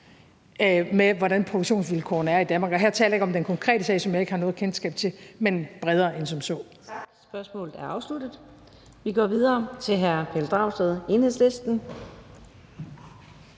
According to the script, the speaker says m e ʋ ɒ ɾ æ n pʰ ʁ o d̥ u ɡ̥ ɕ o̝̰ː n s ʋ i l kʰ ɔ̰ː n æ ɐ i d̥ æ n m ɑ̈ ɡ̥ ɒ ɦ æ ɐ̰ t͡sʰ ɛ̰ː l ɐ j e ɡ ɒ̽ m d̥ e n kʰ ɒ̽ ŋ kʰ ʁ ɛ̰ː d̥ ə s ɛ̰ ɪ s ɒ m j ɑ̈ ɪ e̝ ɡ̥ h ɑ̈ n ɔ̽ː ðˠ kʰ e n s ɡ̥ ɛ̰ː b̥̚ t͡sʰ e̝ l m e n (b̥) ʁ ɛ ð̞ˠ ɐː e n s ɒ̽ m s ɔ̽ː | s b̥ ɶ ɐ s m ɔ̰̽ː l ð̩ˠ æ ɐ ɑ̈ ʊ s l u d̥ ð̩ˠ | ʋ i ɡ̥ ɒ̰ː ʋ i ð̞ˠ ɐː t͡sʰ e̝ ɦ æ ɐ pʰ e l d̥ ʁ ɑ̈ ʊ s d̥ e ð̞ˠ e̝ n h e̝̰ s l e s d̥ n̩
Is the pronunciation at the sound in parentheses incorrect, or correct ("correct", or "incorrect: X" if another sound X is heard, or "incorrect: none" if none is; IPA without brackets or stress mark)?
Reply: correct